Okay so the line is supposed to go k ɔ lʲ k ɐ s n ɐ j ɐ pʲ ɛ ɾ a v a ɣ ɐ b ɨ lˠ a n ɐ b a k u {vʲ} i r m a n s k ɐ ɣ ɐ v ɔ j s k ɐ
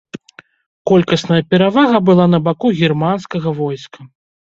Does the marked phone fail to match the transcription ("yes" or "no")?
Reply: yes